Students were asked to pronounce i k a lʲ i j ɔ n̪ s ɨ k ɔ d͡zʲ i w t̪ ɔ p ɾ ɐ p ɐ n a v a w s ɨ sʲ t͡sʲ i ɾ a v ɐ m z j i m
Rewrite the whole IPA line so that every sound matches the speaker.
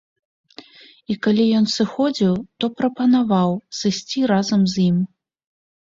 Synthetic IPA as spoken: i k a lʲ i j ɔ n̪ s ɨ x ɔ d͡zʲ i w t̪ ɔ p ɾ ɐ p ɐ n a v a w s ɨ sʲ t͡sʲ i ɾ a z ɐ m z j i m